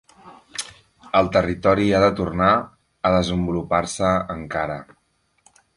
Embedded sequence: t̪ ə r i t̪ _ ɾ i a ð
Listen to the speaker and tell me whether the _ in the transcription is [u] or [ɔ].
ɔ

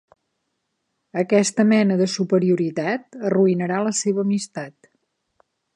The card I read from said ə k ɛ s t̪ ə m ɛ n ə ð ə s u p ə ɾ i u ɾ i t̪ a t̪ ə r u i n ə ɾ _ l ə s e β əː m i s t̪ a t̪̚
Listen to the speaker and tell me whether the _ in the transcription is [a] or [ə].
a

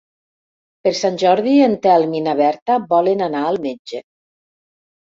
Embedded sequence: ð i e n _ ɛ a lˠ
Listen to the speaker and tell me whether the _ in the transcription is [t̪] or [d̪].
t̪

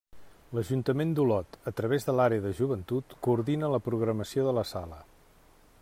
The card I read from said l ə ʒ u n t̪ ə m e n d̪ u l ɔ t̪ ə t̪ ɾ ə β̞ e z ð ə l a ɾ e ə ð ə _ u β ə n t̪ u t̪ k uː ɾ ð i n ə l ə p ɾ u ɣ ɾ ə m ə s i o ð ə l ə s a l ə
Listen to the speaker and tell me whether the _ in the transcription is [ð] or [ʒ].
ʒ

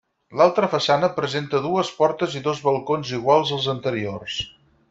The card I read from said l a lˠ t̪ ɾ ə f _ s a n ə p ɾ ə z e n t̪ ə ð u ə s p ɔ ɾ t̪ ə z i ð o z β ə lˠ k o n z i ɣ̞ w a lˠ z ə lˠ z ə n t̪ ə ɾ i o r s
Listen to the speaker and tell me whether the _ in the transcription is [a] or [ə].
ə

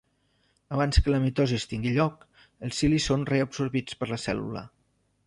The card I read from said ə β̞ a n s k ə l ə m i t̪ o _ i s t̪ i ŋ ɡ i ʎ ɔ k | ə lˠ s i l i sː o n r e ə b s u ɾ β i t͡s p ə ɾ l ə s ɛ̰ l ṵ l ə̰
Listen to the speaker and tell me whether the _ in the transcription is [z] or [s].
z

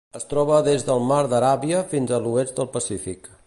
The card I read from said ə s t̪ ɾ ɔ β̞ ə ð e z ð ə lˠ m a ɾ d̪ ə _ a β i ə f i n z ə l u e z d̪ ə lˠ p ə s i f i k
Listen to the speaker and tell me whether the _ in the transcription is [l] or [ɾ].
ɾ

